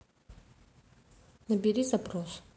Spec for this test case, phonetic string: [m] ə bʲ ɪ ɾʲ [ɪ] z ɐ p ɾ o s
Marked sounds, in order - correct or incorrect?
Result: incorrect: n, incorrect: i

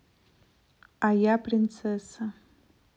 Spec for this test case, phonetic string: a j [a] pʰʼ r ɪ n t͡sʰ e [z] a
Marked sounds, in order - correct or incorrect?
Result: correct, incorrect: s

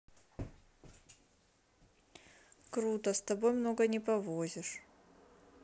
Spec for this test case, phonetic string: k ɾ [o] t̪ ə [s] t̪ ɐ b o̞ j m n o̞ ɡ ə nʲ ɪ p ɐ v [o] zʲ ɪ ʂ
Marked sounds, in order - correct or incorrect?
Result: incorrect: u, correct, correct

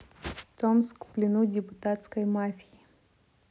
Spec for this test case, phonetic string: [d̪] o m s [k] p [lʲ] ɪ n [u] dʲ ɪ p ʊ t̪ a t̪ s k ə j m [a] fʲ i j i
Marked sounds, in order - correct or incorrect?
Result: incorrect: t̪, correct, correct, correct, correct

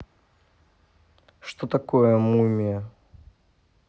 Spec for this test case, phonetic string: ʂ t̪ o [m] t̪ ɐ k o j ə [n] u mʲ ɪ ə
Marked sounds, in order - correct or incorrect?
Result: incorrect: none, incorrect: m

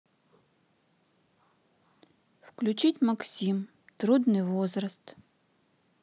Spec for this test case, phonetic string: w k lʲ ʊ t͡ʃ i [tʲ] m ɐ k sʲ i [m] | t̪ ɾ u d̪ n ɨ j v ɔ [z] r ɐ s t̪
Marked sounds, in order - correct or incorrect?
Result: correct, correct, correct

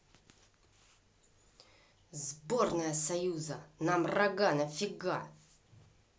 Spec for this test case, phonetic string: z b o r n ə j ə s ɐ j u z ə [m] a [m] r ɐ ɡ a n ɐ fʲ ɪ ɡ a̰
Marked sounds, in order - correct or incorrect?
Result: incorrect: n, correct

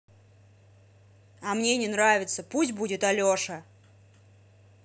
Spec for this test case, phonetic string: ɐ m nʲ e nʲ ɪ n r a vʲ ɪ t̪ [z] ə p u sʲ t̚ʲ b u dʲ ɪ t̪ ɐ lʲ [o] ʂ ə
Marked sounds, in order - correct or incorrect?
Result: incorrect: s, correct

